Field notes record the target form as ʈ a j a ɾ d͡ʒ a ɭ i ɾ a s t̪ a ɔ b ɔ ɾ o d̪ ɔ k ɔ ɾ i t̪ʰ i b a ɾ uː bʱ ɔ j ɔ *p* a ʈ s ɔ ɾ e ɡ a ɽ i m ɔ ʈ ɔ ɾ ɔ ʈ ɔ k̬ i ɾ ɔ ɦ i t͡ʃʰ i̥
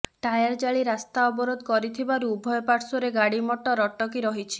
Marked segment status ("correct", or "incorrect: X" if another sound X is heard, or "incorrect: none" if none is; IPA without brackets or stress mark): correct